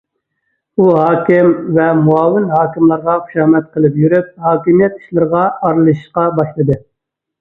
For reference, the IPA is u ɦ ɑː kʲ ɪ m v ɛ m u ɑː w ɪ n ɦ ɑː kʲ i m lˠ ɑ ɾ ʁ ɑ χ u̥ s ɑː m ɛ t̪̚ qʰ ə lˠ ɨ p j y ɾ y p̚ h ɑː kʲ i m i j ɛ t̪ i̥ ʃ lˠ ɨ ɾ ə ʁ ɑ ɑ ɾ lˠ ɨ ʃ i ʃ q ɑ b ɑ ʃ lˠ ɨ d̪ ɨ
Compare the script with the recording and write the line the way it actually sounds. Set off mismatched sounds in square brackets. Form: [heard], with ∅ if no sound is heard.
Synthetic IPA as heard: u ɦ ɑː kʲ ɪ m v ɛ m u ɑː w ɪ n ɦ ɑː kʲ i m lˠ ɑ ɾ ʁ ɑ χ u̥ [ʃ] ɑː m ɛ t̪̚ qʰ ə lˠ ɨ p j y ɾ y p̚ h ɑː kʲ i m i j ɛ t̪ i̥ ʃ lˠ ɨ ɾ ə ʁ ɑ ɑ ɾ lˠ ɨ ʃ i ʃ q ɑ b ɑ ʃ lˠ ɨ d̪ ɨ